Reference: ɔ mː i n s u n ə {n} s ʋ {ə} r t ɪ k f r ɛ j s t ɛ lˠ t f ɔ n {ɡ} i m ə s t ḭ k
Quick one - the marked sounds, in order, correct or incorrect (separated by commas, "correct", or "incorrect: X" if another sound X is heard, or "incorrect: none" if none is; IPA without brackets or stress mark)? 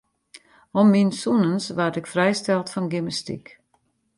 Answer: correct, incorrect: a, correct